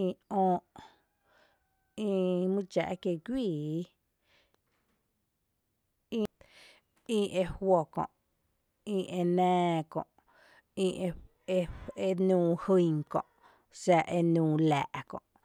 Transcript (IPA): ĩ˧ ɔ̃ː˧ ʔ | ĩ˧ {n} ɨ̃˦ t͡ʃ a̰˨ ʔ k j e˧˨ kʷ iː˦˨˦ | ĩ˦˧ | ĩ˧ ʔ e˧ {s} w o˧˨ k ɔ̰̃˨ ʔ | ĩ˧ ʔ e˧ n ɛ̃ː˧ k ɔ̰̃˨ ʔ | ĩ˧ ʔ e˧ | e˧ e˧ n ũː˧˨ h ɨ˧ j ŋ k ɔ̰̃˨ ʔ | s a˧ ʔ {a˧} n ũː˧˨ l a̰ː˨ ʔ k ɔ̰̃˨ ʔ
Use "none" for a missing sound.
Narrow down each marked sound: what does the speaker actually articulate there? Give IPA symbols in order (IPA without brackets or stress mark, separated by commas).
m, h, e˧